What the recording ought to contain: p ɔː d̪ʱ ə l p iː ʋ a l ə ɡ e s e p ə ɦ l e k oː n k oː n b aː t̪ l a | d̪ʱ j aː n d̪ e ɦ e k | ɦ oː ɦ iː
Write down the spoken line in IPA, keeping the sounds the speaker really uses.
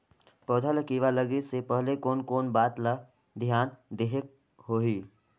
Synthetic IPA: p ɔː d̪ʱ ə l k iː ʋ a l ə ɡ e s e p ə ɦ l e k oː n k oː n b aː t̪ l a | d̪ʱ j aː n d̪ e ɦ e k | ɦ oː ɦ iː